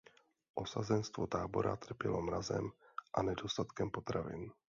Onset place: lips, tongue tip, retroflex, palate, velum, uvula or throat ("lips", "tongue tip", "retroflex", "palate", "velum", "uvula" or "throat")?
throat